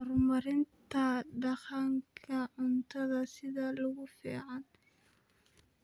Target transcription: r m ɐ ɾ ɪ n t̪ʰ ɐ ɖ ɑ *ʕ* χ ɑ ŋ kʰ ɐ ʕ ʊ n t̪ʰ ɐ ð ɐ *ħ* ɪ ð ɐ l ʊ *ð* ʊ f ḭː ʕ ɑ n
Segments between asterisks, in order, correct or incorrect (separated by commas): incorrect, incorrect, incorrect